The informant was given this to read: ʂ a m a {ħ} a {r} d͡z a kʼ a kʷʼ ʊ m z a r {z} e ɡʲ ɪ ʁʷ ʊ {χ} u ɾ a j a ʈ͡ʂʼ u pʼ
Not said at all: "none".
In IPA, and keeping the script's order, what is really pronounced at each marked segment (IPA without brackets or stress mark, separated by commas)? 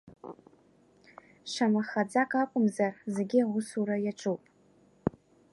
χ, none, z, s